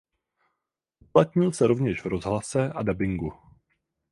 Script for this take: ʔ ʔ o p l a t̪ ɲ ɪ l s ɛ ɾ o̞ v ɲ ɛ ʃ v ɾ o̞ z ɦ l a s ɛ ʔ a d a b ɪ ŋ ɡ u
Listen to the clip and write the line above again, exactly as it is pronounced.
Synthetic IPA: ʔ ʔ u p l a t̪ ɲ ɪ l s ɛ ɾ o̞ v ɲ ɛ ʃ v ɾ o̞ z ɦ l a s ɛ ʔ a d a b ɪ ŋ ɡ u

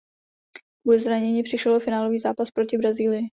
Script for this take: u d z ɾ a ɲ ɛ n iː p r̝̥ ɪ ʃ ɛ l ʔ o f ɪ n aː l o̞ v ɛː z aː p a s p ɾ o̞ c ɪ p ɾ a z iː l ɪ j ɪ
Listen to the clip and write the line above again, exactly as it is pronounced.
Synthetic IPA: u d z ɾ a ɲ ɛ ɲ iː p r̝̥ ɪ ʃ ɛ l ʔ o f ɪ n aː l o̞ v iː z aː p a s p ɾ o̞ c ɪ b ɾ a z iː l ɪ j ɪ

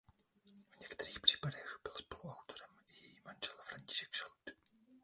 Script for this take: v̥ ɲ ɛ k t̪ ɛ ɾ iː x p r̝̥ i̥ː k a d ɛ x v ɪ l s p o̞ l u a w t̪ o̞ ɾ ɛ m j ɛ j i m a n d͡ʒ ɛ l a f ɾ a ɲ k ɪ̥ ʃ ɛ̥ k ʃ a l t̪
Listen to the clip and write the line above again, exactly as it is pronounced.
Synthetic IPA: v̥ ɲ ɛ k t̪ ɛ ɾ iː x p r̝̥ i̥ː p a d ɛ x b ɪ l s p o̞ l u a w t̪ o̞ ɾ ɛ m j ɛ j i m a n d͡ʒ ɛ l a f ɾ a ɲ c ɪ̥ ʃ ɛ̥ k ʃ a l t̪

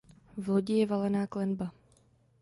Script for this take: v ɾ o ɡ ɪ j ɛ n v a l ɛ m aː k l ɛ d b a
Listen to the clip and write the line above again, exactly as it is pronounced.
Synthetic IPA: v l o ɟ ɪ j ɛ v a l ɛ n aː k l ɛ n b a

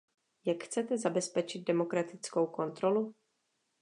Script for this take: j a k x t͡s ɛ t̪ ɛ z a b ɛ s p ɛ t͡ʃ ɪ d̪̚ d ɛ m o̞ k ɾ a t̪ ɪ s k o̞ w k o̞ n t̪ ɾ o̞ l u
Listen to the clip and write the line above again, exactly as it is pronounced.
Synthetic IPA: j a k x t͡s ɛ t̪ ɛ z a b ɛ s p ɛ t͡ʃ ɪ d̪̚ d ɛ m o̞ k ɾ a t̪ ɪ t͡s k o̞ w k o̞ n t̪ ɾ o̞ l u

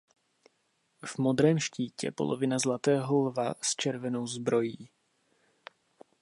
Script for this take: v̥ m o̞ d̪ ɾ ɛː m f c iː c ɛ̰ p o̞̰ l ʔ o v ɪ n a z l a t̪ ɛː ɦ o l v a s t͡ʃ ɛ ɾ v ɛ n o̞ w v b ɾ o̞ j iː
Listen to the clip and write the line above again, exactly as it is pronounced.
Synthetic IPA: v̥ m o̞ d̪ ɾ ɛː m ʃ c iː c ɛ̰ p o̞̰ l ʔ o v ɪ n a z l a t̪ ɛː ɦ o l v a s t͡ʃ ɛ ɾ v ɛ n o̞ w z b ɾ o̞ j iː

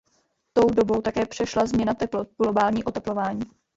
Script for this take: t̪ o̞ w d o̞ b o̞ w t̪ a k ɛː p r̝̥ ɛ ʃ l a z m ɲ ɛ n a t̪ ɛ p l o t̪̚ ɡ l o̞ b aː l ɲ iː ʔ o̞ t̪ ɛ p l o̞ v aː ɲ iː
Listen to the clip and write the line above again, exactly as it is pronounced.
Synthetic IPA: t̪ o̞ w d o̞ b o̞ w t̪ a k ɛː p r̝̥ ɛ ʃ l a z m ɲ ɛ n a t̪ ɛ p l o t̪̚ ɡ l o̞ b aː l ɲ iː ʔ o̞ t̪ ɛ p l o̞ v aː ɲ iː

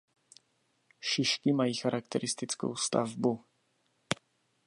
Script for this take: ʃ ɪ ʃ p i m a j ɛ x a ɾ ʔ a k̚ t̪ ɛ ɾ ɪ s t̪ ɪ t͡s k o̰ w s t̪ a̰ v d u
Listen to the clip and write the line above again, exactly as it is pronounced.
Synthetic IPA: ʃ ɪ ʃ k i m a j i x a ɾ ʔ a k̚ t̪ ɛ ɾ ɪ s t̪ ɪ t͡s k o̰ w s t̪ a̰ v b u

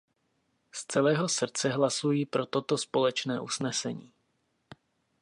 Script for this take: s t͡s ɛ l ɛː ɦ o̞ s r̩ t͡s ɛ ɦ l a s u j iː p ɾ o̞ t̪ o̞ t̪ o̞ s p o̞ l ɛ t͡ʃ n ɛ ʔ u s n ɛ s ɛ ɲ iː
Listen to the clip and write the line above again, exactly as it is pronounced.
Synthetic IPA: s t͡s ɛ l ɛː ɦ o̞ s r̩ t͡s ɛ ɦ l a s u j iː p ɾ o̞ t̪ o̞ t̪ o̞ s p o̞ l ɛ t͡ʃ n ɛː ʔ u s n ɛ s ɛ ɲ iː

